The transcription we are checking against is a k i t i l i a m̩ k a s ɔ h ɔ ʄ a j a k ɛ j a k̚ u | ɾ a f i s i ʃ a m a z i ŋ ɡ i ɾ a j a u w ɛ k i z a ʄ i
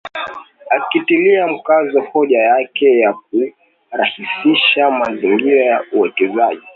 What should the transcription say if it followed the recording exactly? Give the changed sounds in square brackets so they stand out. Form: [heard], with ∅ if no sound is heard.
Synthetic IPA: a k i t i l i a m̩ k a [z] ɔ h ɔ ʄ a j a k ɛ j a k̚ u | ɾ a [h] i s i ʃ a m a z i ŋ ɡ i ɾ a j a u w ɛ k [ɛ] z a ʄ i